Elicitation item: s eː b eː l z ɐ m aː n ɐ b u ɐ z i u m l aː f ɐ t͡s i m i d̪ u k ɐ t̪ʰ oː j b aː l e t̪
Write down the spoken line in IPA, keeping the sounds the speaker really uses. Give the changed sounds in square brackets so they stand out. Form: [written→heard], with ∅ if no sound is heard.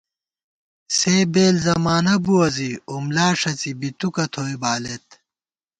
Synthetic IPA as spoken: s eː b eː l z ɐ m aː n ɐ b u ɐ z i u m l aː [f→ʂ] ɐ t͡s i [m→b] i [d̪→t̪] u k ɐ t̪ʰ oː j b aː l e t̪